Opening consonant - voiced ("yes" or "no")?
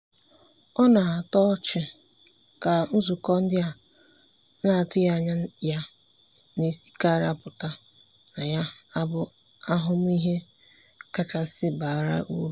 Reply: yes